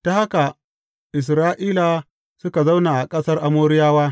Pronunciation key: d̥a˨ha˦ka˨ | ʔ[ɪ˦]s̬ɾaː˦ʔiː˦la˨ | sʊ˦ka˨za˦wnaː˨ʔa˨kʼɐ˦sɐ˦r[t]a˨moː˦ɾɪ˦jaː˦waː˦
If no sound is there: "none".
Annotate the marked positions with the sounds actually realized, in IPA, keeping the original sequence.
ɪ˨, ʔ

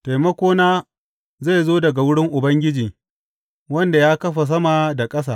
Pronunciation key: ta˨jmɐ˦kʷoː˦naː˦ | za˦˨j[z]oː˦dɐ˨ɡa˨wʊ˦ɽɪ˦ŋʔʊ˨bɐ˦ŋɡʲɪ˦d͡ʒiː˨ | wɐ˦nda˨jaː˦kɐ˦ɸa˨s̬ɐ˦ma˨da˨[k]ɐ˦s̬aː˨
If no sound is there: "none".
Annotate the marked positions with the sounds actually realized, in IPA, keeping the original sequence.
z, kʼ

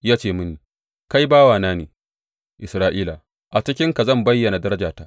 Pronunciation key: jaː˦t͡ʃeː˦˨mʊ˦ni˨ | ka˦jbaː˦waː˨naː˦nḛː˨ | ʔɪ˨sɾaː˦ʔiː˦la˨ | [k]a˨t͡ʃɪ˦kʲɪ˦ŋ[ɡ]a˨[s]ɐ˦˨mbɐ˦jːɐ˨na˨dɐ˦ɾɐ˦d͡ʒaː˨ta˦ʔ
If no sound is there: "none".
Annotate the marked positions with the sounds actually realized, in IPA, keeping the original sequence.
ʔ, k, z

